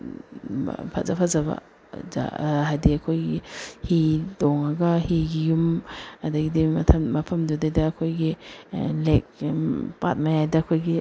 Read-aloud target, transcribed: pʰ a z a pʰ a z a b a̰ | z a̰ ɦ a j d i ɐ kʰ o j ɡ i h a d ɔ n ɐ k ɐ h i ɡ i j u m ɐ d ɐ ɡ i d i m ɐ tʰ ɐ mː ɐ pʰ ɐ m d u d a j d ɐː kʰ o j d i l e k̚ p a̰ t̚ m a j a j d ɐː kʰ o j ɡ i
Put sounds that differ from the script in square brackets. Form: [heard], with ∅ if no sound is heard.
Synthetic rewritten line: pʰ a z a pʰ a z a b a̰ | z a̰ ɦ a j d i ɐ kʰ o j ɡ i h [i] d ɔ [ŋ] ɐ [ɡ] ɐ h i ɡ i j u m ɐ d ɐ ɡ i d i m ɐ tʰ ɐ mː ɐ pʰ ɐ m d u d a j d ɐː kʰ o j [ɡ] i l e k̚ p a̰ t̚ m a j a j d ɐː kʰ o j ɡ i